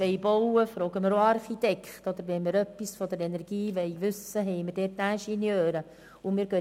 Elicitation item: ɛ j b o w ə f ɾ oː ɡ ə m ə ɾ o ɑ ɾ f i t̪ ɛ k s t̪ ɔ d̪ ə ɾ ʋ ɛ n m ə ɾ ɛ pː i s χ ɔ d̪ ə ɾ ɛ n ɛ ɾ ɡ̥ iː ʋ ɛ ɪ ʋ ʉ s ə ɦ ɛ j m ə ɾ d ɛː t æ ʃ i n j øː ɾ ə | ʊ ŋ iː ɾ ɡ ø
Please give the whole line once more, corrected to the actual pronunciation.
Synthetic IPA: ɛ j b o w ə f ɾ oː ɡ ə m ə ɾ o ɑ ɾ χ i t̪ ɛ k χ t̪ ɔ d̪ ə ɾ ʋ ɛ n m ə ɾ œ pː i s f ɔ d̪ ə ɾ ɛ n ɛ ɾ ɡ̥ iː ʋ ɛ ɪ ʋ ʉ s ə ɦ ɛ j m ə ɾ d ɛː t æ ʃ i n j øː ɾ ə | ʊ m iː ɾ ɡ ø